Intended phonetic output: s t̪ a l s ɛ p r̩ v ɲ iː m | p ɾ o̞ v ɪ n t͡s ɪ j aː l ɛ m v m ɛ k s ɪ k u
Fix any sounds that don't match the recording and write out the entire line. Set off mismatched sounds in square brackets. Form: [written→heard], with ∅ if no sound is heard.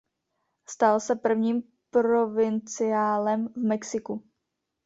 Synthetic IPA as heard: s t̪ a l s ɛ p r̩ v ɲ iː m | p ɾ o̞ v ɪ n t͡s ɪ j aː l ɛ m v m ɛ k s ɪ k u